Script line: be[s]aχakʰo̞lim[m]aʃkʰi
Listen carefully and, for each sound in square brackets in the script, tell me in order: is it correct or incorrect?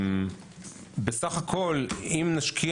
correct, incorrect: n

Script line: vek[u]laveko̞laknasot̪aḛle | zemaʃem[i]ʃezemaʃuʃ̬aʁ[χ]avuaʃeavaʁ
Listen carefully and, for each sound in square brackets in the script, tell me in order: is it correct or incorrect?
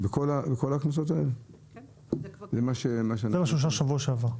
incorrect: o, incorrect: a, incorrect: ʃ

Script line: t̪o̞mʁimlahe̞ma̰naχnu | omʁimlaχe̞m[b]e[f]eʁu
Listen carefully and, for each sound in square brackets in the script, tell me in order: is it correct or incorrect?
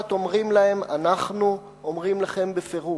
correct, correct

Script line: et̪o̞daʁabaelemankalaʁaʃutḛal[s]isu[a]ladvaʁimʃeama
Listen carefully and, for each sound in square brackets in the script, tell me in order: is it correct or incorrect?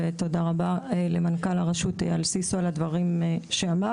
correct, correct

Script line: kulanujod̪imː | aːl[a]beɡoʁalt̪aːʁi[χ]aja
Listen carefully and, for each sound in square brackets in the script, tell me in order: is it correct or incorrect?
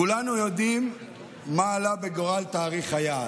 correct, correct

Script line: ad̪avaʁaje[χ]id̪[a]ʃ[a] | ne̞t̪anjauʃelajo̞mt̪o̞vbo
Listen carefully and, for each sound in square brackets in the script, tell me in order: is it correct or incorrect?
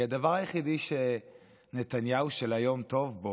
correct, incorrect: i, incorrect: e

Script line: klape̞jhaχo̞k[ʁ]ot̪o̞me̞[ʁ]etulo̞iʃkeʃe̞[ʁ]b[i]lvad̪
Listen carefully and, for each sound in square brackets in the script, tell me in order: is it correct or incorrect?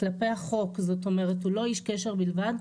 incorrect: z, correct, correct, correct

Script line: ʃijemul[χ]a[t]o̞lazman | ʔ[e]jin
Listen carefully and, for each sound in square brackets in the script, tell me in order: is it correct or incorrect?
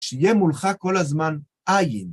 correct, incorrect: k, incorrect: a

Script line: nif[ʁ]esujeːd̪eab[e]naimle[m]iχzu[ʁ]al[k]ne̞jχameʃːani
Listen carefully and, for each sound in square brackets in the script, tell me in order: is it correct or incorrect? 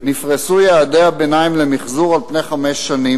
correct, correct, correct, correct, incorrect: p

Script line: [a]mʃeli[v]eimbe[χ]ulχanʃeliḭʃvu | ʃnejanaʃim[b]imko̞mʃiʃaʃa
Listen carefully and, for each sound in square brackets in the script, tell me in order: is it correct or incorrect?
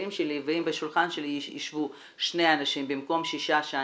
incorrect: i, correct, incorrect: ʃ, correct

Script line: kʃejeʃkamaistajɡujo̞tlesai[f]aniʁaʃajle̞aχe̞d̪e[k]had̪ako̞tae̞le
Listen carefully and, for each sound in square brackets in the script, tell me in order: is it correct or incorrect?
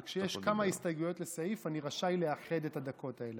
correct, incorrect: t

